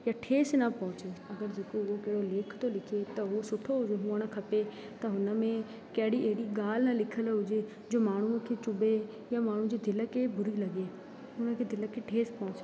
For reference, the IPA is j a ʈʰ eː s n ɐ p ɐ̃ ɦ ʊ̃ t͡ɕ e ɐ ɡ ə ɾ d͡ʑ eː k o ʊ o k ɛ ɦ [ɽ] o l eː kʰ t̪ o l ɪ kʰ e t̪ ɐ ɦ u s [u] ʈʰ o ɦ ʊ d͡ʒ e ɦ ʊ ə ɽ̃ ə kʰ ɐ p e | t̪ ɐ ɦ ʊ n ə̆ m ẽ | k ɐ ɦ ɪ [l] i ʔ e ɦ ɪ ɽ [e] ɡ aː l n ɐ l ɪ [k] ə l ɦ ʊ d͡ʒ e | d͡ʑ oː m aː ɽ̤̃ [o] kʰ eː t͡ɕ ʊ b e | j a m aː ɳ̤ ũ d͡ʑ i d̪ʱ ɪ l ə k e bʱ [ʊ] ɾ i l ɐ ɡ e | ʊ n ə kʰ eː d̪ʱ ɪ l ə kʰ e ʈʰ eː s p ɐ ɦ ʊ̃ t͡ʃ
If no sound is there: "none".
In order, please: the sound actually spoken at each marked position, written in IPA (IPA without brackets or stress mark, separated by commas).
ɽ, ʊ, ɽ, i, kʰ, u, ʊ